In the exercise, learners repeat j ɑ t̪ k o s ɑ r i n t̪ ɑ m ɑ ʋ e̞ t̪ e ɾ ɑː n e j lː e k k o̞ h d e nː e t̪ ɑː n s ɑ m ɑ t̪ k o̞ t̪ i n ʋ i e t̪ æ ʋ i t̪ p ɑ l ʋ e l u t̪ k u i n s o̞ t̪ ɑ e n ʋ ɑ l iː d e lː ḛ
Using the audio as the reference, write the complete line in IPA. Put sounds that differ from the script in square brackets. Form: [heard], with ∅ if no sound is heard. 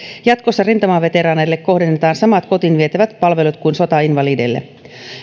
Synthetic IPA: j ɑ t̪ k o [sː] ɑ r i n t̪ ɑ m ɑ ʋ e̞ t̪ e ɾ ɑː n e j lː e k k o̞ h d e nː e t̪ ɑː n s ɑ m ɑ t̪ k o̞ t̪ i n ʋ i e t̪ æ ʋ [æ] t̪ p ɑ l ʋ e l u t̪ k u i n s o̞ t̪ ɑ [i] n ʋ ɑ l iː d e lː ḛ

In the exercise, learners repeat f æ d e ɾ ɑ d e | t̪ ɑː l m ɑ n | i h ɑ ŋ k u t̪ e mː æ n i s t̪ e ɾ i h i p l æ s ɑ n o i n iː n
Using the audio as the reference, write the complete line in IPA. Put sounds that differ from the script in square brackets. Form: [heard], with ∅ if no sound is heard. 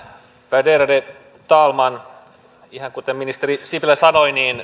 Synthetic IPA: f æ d e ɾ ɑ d e | t̪ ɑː l m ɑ n | i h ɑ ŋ k u t̪ e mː [i] n i s t̪ e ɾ i [s] i p l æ s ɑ n o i n iː n

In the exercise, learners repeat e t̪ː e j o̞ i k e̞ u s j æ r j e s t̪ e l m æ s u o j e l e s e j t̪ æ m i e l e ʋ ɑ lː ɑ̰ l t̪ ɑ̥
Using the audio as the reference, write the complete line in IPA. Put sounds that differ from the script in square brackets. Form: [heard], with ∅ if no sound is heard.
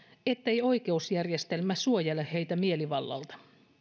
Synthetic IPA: e t̪ː e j o̞ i k e̞ u s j æ r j e s t̪ e l m æ s u o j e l e [h] e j t̪ æ m i e l [i] ʋ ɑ lː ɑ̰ l t̪ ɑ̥

